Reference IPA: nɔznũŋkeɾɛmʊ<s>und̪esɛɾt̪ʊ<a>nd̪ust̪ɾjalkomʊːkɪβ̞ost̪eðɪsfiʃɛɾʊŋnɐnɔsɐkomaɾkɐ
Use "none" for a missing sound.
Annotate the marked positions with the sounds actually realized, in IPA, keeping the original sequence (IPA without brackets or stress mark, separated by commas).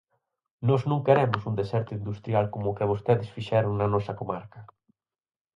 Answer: s, i